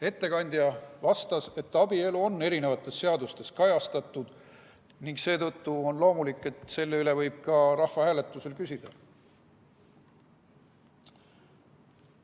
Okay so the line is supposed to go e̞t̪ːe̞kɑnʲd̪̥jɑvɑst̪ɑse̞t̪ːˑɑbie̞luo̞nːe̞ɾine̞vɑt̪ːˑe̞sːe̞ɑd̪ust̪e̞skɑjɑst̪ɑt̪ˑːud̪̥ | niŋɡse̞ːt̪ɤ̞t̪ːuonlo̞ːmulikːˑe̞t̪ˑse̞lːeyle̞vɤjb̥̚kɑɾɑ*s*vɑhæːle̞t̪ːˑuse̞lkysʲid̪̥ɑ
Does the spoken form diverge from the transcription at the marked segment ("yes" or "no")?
yes